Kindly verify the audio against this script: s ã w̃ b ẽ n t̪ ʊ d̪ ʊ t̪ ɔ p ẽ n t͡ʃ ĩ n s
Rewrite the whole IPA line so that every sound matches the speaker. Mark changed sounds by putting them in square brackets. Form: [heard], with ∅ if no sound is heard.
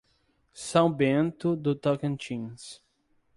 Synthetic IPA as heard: s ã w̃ b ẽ n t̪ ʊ d̪ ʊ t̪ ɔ [k] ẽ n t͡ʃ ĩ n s

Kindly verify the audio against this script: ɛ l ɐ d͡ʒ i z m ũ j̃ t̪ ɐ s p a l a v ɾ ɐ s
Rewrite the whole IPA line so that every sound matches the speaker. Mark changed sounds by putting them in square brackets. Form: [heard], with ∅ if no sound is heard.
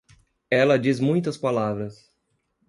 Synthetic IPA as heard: ɛ l ɐ d͡ʒ i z m ũ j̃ t̪ ɐ s p a l a v ɾ ɐ s

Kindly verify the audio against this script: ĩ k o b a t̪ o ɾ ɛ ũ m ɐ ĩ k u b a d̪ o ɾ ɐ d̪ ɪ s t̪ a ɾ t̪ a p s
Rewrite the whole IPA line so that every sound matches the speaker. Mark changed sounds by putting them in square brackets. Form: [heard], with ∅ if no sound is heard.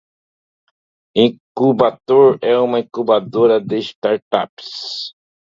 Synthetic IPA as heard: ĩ k [u] b a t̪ o ɾ ɛ ũ m ɐ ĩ k u b a d̪ o ɾ ɐ d̪ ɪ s t̪ a ɾ t̪ a p s

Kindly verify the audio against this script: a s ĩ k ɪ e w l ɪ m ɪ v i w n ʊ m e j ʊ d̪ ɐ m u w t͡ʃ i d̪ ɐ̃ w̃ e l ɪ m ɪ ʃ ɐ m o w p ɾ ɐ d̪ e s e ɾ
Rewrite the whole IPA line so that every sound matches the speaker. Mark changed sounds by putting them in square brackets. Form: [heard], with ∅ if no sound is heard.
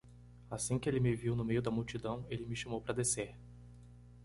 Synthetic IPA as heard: a s ĩ k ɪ e [∅] l ɪ m ɪ v i w n ʊ m e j ʊ d̪ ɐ m u w t͡ʃ i d̪ ɐ̃ w̃ e l ɪ m ɪ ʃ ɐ m o w p ɾ ɐ d̪ e s e ɾ

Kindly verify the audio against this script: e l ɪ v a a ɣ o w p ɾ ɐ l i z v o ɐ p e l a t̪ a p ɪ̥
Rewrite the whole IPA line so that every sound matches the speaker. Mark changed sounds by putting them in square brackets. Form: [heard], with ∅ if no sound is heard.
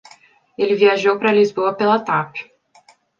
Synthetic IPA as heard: e l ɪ v [i] a [ʒ] o w p ɾ ɐ l i z [b] o ɐ p e l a t̪ a p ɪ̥

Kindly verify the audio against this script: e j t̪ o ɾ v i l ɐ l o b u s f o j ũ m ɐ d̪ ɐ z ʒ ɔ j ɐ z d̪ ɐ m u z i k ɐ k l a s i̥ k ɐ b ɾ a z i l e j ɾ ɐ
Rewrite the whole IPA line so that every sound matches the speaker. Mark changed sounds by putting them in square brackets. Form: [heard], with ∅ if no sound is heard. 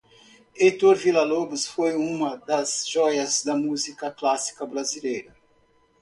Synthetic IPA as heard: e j t̪ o ɾ v i l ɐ l o b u s f o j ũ m ɐ d̪ ɐ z ʒ ɔ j ɐ z d̪ ɐ m u z i k ɐ k l a s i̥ k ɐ b ɾ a z i l e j ɾ ɐ

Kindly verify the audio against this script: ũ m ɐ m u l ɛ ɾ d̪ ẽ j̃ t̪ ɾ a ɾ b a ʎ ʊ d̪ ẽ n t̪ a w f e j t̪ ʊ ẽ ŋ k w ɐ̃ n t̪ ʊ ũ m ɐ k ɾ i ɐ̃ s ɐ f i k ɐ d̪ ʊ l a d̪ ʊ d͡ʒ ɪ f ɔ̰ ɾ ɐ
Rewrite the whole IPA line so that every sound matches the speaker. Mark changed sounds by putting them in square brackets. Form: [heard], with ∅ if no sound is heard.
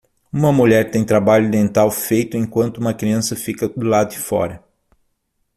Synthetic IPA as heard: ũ m ɐ m u [ʎ] ɛ ɾ [t̪] ẽ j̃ t̪ ɾ a [∅] b a ʎ ʊ d̪ ẽ n t̪ a w f e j t̪ ʊ ẽ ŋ k w ɐ̃ n t̪ ʊ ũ m ɐ k ɾ i ɐ̃ s ɐ f i k ɐ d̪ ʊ l a d̪ ʊ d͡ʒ ɪ f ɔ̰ ɾ ɐ

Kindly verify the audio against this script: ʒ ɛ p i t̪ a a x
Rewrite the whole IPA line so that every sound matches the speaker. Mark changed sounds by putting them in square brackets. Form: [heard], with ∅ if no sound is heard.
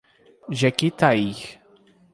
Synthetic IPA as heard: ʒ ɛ [k] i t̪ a [i] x

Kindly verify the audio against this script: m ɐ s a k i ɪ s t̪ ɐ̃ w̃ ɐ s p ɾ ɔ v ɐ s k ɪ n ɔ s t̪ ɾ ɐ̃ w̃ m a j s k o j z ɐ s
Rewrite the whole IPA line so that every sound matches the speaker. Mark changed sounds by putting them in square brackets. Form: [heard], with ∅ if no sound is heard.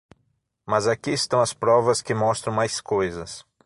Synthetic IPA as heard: m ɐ [z] a k i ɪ s t̪ ɐ̃ w̃ ɐ s p ɾ ɔ v ɐ s k ɪ [m] ɔ s t̪ ɾ ɐ̃ w̃ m a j s k o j z ɐ s

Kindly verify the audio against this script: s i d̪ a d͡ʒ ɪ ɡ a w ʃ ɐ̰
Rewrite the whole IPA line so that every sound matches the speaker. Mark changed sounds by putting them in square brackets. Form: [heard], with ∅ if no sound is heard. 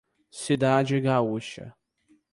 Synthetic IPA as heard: s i d̪ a d͡ʒ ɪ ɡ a [u] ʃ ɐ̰

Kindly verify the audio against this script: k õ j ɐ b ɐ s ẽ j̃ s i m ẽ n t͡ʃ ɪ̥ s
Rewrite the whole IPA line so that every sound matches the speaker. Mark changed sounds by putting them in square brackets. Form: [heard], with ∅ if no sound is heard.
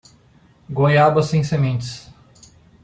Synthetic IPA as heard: [ɡ] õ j [a] b ɐ s ẽ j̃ s [e] m ẽ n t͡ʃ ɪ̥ s

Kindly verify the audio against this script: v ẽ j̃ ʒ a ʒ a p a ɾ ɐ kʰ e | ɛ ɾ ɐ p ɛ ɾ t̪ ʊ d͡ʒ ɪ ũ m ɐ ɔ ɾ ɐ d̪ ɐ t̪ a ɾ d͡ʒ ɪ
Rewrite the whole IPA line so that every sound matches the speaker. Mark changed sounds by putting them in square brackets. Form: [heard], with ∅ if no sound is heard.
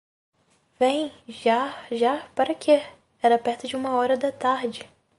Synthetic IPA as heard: v ẽ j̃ ʒ a ʒ a p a ɾ ɐ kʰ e | ɛ ɾ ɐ p ɛ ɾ t̪ ʊ d͡ʒ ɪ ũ m ɐ ɔ ɾ ɐ d̪ ɐ t̪ a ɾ d͡ʒ ɪ

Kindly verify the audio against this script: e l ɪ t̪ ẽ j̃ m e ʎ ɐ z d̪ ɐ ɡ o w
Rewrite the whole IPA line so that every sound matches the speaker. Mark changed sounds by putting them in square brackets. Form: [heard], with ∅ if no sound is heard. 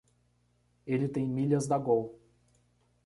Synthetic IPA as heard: e l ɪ t̪ ẽ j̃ m [i] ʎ ɐ z d̪ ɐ ɡ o w

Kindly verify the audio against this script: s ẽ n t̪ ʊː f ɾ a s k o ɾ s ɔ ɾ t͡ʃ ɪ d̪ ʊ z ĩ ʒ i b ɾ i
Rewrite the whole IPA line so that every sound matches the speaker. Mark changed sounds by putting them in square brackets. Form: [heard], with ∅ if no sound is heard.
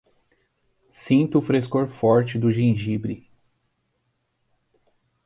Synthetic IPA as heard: s [ĩ] n t̪ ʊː f ɾ [e] s k o ɾ [f] ɔ ɾ t͡ʃ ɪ d̪ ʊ [ʒ] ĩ ʒ i b ɾ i

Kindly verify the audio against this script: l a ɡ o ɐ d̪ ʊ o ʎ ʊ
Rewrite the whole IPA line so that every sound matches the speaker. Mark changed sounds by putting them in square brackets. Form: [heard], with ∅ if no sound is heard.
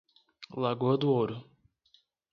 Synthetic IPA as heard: l a ɡ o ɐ d̪ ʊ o [ɾ] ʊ

